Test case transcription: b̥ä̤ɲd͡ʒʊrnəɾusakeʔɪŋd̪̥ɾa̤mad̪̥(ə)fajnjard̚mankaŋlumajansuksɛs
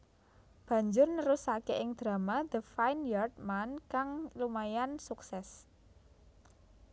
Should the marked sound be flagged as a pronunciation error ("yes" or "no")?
no